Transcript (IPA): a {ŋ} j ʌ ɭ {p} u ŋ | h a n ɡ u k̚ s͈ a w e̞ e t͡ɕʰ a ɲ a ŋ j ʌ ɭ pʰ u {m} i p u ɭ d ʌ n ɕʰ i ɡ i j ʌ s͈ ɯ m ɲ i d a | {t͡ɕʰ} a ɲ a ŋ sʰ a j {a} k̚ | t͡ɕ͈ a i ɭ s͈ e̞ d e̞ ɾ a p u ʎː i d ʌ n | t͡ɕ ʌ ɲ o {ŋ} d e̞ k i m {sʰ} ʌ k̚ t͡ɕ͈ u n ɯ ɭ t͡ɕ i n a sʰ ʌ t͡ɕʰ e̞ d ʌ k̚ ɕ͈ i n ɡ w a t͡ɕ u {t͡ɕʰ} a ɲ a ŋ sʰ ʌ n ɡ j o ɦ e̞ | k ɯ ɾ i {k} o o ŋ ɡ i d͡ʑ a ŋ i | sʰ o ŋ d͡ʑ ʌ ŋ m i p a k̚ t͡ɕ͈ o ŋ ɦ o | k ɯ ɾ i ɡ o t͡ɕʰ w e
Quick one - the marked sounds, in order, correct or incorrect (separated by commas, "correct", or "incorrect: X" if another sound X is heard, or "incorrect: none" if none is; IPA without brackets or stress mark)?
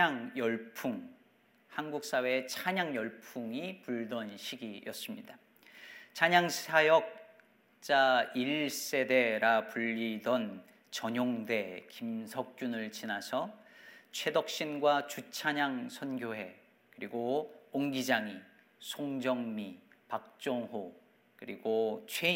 correct, incorrect: pʰ, incorrect: ŋ, correct, incorrect: ʌ, correct, correct, correct, incorrect: ɡ